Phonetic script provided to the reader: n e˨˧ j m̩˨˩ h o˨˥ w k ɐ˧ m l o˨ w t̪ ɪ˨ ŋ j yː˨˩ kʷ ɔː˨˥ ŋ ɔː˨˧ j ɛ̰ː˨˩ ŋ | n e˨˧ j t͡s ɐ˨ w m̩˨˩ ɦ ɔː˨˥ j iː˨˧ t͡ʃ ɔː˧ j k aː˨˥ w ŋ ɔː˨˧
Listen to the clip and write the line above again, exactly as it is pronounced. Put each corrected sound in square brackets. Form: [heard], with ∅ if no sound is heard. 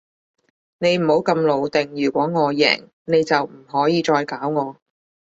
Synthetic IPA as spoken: n e˨˧ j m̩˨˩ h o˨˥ w k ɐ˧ m l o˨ w t̪ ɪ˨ ŋ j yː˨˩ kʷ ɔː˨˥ ŋ ɔː˨˧ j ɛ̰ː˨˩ ŋ | n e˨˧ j t͡s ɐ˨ w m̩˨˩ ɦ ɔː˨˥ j iː˨˧ t͡ʃ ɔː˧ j k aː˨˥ w ŋ ɔː˨˧